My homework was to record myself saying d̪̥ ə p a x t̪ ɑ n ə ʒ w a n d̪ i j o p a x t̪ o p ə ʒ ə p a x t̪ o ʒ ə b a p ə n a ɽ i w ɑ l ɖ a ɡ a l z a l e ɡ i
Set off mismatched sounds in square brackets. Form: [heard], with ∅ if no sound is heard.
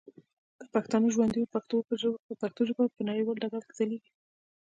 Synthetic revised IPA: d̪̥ ə p a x t̪ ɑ n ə ʒ w a n d̪ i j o p a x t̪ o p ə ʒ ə p a x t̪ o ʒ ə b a p ə n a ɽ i w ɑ l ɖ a ɡ a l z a l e ɡ i